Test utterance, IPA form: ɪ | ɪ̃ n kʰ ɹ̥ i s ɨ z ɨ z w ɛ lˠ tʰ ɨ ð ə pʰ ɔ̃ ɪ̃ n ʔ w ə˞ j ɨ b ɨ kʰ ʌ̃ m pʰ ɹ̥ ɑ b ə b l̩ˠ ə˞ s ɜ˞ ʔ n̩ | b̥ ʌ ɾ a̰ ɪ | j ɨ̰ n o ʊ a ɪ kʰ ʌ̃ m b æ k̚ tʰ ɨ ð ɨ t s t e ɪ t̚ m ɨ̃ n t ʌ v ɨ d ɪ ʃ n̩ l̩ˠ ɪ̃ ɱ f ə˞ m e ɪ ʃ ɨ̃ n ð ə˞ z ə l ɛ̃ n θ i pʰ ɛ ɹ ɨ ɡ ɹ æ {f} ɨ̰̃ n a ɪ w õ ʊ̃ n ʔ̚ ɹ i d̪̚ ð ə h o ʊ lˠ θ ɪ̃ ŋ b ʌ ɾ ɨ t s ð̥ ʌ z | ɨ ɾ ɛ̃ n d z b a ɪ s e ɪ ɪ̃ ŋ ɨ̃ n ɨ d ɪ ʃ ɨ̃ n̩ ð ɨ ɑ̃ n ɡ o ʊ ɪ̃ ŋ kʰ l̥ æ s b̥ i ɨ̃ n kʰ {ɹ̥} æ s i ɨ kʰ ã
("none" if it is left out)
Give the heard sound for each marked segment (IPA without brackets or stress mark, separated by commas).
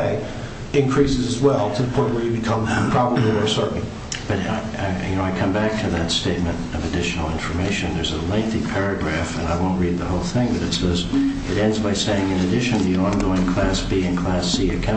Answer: f, l̥